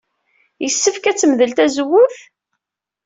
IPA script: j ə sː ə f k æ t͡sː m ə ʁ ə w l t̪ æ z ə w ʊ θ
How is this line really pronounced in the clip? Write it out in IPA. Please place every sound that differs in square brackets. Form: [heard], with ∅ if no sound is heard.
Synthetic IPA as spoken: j ə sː ə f k æ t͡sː m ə [ð] ə [∅] l t̪ æ z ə w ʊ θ